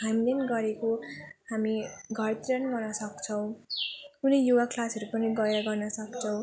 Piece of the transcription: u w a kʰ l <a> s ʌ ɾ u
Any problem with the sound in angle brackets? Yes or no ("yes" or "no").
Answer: no